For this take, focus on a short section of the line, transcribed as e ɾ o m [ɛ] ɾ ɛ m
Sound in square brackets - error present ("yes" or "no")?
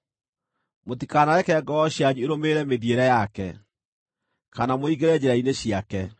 yes